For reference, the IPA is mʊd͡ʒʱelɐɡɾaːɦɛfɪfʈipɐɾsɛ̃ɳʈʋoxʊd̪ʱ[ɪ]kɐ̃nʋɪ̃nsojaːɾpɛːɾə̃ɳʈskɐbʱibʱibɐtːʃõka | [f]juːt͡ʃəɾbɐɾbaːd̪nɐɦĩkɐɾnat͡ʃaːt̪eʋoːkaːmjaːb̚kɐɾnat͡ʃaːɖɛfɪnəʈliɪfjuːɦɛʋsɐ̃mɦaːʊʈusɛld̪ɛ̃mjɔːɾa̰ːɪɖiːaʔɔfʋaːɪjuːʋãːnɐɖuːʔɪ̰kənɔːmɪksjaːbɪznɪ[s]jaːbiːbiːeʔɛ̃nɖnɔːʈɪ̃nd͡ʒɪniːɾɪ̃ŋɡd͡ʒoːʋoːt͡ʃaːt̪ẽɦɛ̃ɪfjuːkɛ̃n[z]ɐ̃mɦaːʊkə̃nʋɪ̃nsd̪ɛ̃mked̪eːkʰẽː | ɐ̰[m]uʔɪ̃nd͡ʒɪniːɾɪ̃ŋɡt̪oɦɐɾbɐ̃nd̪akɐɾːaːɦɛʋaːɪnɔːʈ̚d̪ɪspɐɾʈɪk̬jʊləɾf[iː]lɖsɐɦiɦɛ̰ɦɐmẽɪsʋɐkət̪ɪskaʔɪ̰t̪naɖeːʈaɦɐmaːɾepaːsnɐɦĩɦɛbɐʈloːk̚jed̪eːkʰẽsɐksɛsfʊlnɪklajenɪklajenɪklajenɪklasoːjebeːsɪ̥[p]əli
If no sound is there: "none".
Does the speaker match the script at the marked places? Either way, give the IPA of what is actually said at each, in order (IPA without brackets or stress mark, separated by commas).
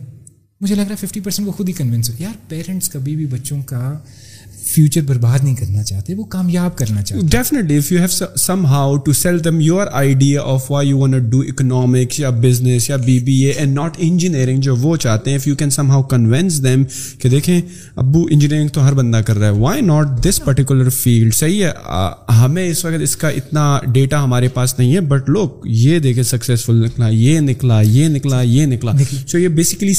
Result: i, f, s, s, b, iː, k